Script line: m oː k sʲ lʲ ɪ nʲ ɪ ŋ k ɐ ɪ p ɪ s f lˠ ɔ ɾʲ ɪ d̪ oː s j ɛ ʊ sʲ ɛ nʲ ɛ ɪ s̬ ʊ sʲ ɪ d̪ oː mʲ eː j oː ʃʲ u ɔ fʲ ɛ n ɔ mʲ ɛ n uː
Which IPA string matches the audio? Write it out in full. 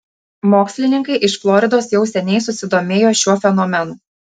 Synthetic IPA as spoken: m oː k sʲ lʲ ɪ nʲ ɪ ŋ k ɐ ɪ ʔ ɪ ʃ f lˠ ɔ ɾʲ ɪ d̪ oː s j ɛ ʊ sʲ ɛ nʲ ɛ ɪ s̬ ʊ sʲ ɪ d̪ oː mʲ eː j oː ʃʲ u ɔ fʲ ɛ n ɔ mʲ ɛ n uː